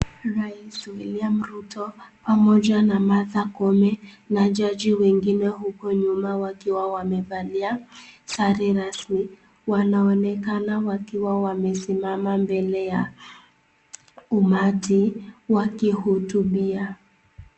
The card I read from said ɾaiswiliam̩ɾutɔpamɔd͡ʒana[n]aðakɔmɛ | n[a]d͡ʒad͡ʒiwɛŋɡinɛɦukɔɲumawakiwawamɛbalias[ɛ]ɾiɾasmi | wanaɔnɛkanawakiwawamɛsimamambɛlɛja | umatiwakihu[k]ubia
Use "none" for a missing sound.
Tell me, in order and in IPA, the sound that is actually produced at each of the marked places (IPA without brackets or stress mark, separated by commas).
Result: m, a, a, t